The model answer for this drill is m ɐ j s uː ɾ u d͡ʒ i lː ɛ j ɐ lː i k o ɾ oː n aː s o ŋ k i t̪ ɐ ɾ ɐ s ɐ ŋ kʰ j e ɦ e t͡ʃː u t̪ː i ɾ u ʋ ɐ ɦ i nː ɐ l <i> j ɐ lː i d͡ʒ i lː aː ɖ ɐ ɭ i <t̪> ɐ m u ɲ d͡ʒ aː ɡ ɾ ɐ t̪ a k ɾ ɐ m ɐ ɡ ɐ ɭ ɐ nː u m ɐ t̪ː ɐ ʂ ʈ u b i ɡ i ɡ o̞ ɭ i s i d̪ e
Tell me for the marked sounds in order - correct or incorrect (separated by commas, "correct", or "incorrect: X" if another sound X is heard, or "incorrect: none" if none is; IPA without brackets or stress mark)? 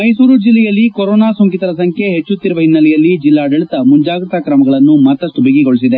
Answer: incorrect: ɛ, correct